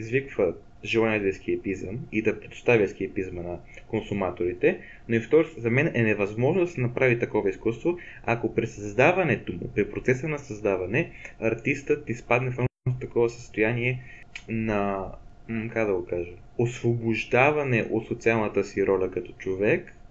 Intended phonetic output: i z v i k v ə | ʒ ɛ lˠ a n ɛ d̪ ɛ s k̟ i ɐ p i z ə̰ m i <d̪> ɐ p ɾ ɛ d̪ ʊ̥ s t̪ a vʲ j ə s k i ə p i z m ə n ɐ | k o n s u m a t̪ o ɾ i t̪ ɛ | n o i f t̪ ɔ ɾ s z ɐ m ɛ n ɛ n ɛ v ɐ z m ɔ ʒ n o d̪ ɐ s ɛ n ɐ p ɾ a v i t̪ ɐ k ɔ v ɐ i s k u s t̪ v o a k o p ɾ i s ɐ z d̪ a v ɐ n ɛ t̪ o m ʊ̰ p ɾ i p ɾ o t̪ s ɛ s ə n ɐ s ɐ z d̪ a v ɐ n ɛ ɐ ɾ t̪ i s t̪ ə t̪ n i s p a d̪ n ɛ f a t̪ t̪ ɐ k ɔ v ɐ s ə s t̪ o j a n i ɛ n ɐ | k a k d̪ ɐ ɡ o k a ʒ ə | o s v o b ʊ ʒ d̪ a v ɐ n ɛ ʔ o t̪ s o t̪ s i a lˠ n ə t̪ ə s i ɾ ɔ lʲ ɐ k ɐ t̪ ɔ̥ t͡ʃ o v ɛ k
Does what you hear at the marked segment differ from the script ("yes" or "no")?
no